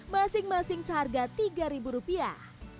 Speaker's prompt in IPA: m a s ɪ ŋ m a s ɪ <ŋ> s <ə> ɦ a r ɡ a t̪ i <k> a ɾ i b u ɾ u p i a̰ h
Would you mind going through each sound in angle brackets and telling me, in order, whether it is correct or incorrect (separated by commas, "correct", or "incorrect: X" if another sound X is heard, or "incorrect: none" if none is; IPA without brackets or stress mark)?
correct, correct, incorrect: ɡ